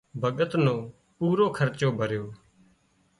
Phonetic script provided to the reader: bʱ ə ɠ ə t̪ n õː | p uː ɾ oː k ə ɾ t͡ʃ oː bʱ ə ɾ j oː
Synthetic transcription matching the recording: bʱ ə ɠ ə t̪ n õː | p uː ɾ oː kʰ ə ɾ t͡ʃ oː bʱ ə ɾ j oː

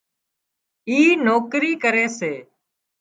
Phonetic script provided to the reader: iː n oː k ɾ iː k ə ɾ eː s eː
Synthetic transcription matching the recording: iː n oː k ɾ iː k ə ɾ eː s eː

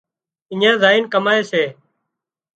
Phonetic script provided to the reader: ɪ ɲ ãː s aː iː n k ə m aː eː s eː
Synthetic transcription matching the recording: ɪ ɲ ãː z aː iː n k ə m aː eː s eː

